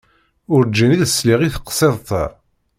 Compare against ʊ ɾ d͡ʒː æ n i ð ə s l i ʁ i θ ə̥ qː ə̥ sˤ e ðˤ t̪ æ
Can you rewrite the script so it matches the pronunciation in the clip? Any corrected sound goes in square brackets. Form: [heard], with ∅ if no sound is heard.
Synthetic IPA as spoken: ʊ ɾ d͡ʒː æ n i ð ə s l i ʁ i θ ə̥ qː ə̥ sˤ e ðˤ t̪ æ